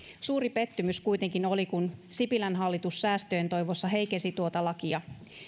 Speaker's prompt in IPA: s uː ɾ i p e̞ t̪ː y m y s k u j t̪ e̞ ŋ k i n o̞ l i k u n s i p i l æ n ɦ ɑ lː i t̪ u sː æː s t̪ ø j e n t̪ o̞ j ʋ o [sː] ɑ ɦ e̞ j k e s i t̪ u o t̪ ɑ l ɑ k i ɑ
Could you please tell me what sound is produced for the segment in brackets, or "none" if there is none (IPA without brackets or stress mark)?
sː